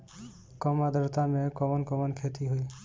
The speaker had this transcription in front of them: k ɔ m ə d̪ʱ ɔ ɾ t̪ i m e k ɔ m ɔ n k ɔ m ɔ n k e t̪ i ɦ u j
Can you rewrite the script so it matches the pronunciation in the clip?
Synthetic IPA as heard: k ɔ m a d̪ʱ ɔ ɾ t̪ a m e k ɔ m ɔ n k ɔ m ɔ n kʰ e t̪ i ɦ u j